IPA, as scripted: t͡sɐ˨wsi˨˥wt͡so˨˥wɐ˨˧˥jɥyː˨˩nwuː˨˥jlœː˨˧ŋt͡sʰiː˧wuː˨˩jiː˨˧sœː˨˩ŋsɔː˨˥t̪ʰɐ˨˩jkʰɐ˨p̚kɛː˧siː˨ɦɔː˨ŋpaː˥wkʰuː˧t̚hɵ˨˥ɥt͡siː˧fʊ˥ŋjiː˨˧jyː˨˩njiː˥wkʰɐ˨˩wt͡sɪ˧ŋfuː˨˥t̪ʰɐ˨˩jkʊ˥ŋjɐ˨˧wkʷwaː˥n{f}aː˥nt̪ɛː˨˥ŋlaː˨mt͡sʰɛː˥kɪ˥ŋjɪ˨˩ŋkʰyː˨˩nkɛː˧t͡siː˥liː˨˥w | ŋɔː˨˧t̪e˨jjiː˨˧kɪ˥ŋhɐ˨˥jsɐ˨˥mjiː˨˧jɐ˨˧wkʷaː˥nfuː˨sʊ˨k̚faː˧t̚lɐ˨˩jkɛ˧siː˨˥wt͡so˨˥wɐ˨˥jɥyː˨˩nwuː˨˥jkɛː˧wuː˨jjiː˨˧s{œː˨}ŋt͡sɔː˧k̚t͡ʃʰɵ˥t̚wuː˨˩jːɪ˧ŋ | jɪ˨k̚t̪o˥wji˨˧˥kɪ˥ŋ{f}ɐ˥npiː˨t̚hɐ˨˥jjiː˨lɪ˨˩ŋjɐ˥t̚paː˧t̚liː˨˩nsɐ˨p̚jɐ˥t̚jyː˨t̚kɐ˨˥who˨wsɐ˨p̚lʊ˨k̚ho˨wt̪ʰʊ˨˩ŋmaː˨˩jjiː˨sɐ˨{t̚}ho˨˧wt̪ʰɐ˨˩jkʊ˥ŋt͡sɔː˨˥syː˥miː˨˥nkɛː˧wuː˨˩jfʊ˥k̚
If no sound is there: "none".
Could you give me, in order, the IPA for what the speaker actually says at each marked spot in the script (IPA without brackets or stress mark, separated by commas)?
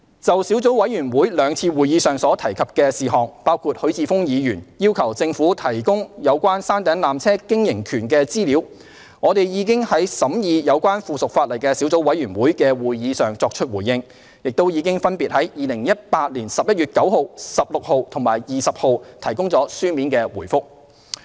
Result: s, œː˨, f, p̚